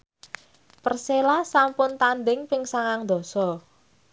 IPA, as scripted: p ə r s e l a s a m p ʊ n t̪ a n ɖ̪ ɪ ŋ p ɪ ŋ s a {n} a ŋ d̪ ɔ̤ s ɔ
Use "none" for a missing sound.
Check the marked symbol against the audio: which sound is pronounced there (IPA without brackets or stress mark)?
ŋ